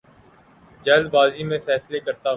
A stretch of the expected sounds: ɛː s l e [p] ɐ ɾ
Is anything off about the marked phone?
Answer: yes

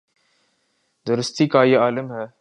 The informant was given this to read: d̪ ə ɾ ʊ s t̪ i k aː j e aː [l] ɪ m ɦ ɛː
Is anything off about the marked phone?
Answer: no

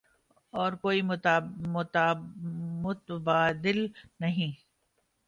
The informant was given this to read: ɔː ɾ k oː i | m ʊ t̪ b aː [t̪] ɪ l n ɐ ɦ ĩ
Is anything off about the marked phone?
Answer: yes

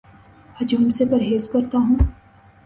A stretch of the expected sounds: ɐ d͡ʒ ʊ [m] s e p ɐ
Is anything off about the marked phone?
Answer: no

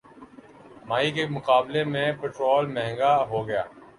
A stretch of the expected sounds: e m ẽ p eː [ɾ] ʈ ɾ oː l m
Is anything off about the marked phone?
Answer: yes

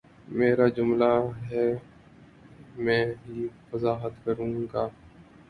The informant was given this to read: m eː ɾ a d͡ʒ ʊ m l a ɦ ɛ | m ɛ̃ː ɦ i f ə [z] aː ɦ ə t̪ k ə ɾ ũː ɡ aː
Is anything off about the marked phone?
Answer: no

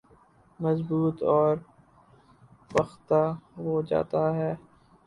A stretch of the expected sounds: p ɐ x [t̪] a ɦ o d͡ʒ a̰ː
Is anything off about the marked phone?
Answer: no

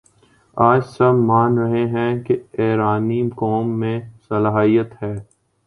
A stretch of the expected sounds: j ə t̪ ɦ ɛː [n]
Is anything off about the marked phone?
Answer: yes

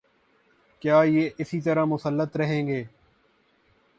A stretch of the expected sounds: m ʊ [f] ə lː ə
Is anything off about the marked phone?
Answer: yes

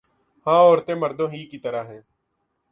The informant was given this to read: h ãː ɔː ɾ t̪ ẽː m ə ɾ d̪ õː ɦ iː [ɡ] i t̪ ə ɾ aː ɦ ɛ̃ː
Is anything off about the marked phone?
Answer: yes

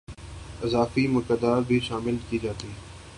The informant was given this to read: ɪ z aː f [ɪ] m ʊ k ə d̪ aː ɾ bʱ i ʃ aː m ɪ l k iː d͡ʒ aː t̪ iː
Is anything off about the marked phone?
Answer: yes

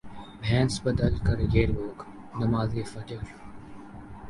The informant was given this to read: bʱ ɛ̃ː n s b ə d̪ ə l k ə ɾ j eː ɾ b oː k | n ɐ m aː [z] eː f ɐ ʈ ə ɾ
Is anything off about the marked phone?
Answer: no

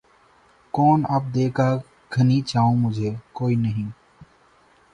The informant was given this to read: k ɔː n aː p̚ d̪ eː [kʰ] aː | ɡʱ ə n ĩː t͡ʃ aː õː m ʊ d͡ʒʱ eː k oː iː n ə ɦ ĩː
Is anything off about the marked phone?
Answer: yes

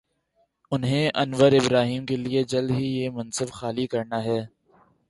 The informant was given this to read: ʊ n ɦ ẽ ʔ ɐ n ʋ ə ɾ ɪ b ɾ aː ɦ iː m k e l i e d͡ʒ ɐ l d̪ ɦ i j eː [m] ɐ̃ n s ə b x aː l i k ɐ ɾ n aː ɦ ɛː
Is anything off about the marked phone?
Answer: no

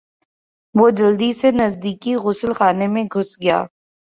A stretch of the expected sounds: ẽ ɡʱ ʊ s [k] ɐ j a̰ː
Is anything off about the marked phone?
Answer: yes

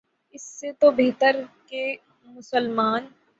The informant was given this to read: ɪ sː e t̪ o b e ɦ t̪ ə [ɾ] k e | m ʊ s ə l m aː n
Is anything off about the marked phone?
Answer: no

